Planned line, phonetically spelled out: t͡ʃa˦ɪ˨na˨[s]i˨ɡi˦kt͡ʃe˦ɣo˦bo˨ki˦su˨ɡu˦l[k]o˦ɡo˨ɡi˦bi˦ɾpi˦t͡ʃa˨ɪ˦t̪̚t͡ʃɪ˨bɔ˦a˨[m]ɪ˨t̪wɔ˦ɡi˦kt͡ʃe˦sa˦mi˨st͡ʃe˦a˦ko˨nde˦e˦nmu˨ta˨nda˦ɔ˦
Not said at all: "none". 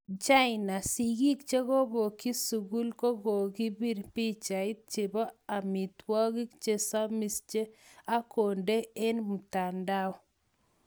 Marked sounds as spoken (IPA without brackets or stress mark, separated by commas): s, k, m